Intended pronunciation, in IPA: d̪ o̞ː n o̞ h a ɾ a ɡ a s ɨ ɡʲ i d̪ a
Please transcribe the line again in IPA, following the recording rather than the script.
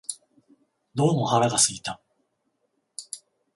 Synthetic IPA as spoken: d̪ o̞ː m o̞ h a ɾ a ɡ a s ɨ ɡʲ i t̪ a